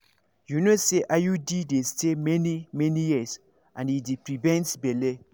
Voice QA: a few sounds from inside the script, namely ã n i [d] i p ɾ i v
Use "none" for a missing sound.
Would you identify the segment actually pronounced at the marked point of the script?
d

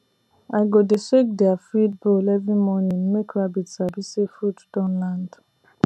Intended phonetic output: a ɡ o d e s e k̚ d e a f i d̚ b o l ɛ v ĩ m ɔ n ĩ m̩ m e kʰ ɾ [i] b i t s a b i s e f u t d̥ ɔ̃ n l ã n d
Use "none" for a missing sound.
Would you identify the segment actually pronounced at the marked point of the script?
a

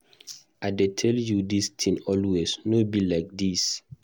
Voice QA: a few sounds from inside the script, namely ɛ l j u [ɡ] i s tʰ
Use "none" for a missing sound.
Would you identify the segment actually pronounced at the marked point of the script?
d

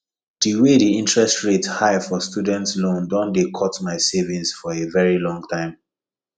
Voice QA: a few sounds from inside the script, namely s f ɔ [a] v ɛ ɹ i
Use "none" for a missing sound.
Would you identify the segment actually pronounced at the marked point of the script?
e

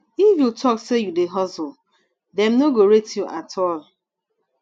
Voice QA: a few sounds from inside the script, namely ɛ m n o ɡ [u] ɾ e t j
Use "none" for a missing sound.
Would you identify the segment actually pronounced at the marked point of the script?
o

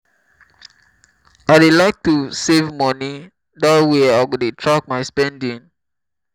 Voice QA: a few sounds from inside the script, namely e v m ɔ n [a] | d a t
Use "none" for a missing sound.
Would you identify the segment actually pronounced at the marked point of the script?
i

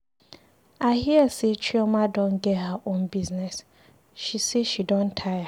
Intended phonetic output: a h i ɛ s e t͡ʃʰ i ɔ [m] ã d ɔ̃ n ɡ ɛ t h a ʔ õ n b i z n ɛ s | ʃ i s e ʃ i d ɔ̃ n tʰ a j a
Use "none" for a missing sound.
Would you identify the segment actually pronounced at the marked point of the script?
m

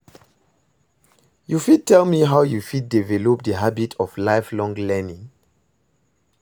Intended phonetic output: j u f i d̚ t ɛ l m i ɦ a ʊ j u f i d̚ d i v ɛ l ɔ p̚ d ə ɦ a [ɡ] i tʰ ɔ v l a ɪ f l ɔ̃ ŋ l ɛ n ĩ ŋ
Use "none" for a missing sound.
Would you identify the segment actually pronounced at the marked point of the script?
b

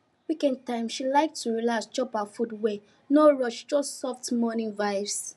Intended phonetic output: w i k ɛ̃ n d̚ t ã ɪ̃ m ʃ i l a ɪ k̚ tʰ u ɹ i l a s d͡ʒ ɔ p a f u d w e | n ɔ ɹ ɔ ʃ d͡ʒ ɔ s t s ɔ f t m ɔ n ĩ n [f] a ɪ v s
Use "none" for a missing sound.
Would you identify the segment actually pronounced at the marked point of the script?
v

